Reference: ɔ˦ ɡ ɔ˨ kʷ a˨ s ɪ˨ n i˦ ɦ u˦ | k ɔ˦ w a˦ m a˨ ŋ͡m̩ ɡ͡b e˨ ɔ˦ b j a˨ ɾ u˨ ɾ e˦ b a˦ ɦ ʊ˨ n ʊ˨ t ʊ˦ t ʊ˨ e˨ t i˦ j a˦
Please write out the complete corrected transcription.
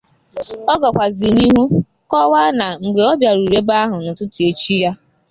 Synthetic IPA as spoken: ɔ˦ ɡ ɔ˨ kʷ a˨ z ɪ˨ n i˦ ɦ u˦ | k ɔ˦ w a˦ n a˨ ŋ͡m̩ ɡ͡b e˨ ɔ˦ b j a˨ ɾ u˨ ɾ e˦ b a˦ ɦ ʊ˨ n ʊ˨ t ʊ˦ t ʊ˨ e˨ t͡ʃ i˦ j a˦